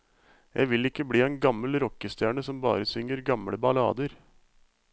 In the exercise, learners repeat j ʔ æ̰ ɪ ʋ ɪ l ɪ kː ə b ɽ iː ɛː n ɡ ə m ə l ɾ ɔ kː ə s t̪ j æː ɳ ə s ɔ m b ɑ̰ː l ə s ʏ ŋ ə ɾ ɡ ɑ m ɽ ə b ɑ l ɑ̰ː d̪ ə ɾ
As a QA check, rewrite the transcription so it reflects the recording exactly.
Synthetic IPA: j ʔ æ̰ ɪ ʋ ɪ l ɪ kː ə b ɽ iː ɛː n ɡ ɑ m ə l ɾ ɔ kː ə s t̪ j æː ɳ ə s ɔ m b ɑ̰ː ɾ ə s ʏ ŋ ə ɾ ɡ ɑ m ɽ ə b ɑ l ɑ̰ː d̪ ə ɾ